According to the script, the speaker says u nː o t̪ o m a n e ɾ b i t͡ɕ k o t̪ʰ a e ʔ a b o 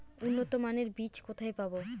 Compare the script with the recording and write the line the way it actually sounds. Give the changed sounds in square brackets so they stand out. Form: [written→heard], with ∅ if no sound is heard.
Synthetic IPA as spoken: u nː o t̪ o m a n e ɾ b i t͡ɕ k o t̪ʰ a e [ʔ→p] a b o